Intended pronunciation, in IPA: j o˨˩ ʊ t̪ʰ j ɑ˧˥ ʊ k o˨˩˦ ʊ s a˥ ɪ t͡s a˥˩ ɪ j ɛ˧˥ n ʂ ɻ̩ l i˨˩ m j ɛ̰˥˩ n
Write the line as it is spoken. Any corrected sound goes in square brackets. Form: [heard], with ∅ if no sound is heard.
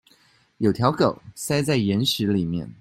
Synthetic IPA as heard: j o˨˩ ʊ t̪ʰ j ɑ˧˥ ʊ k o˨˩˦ ʊ s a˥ ɪ t͡s a˥˩ ɪ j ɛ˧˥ n ʂ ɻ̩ l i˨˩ m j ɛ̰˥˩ n